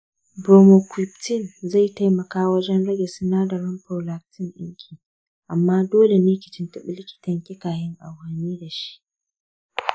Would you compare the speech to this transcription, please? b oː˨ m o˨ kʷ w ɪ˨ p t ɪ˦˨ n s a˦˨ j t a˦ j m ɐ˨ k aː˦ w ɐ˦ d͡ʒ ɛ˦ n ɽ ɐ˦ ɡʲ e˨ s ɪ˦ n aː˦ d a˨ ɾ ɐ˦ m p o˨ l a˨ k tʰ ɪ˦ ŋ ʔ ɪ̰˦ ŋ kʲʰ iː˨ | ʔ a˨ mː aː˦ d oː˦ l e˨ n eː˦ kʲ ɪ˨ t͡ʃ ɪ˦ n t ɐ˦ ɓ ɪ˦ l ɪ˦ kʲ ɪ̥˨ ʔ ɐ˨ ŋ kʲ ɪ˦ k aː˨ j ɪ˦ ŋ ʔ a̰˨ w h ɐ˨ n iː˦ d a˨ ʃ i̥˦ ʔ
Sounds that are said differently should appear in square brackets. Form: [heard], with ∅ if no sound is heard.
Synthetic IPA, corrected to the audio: b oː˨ m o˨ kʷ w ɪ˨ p t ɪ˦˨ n [z] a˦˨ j t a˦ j m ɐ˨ k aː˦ w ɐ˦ d͡ʒ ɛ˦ n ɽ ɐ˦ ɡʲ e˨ s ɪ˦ n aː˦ d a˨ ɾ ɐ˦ m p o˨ l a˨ k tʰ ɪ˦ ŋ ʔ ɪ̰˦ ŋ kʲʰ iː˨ | ʔ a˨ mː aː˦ d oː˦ l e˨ n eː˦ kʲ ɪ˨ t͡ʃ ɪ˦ n t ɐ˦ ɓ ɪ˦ l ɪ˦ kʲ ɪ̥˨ [t] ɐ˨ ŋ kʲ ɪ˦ k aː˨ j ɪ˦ ŋ ʔ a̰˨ w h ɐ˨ n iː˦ d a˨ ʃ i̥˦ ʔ